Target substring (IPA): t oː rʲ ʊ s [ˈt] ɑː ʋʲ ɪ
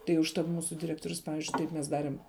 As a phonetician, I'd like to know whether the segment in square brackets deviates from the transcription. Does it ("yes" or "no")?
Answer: yes